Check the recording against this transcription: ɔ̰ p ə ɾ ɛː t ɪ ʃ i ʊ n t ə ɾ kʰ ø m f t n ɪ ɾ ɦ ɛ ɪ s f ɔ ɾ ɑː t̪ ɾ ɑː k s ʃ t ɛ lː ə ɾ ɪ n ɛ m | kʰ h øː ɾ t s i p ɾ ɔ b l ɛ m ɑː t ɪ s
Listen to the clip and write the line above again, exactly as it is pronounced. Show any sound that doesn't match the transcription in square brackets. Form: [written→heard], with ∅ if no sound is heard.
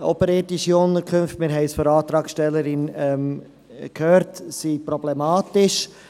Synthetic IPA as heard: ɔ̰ p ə ɾ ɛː t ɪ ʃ i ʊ n t ə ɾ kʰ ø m f t [n→m] ɪ ɾ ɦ ɛ ɪ s f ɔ ɾ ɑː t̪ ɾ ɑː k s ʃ t ɛ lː ə ɾ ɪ n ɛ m | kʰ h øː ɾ t s i p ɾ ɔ b l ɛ m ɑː t ɪ [s→ʃ]